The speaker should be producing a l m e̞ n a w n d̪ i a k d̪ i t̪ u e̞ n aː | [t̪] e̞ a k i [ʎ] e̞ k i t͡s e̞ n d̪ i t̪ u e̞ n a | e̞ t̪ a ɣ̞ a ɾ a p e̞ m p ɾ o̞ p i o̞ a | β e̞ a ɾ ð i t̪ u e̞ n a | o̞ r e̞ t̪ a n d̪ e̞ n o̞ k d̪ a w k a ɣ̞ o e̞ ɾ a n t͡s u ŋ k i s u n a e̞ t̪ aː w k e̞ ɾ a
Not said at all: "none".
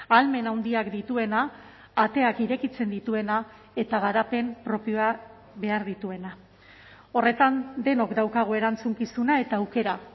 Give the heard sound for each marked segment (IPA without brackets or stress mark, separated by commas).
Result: t̪, ɾ